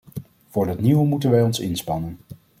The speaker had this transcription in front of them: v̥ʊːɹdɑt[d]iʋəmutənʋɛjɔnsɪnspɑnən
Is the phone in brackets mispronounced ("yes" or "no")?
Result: yes